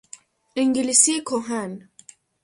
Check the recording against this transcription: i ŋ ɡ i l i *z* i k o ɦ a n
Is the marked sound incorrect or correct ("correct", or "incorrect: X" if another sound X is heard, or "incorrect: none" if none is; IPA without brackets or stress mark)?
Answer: incorrect: s